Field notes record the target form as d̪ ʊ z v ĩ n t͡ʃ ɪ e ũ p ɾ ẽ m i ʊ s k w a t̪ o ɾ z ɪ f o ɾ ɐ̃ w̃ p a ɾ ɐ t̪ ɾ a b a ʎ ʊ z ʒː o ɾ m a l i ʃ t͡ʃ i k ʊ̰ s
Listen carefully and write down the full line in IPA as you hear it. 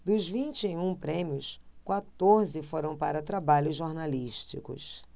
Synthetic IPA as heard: d̪ ʊ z v ĩ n t͡ʃ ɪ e ũ p ɾ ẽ m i ʊ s k w a t̪ o ɾ z ɪ f o ɾ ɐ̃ w̃ p a ɾ ɐ t̪ ɾ a b a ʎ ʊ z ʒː o ɾ n a l i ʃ t͡ʃ i k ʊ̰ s